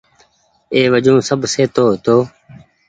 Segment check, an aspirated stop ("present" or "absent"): absent